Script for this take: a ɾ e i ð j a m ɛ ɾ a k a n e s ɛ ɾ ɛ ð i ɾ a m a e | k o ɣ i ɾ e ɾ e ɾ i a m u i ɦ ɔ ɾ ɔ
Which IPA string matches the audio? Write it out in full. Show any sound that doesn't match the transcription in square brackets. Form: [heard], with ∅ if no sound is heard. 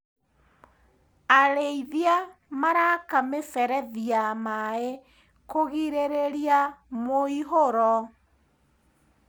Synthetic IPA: a ɾ e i ð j a m [a] ɾ a k a [m] e s ɛ ɾ ɛ ð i [∅] a m a e | k o ɣ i ɾ e ɾ e ɾ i a m [o] i ɦ [o] ɾ ɔ